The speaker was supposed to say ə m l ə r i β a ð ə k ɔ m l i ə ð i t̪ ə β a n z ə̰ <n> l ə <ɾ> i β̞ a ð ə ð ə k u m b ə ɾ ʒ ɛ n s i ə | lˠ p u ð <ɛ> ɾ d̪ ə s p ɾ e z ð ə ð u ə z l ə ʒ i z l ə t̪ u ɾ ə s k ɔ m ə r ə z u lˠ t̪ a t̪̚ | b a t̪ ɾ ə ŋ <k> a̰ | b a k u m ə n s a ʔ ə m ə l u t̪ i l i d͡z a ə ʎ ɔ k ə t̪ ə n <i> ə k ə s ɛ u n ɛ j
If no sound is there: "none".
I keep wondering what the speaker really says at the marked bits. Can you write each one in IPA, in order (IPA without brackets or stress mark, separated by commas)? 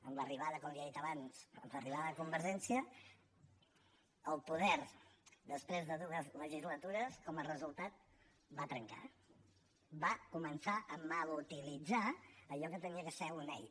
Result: m, r, ɛ, k, i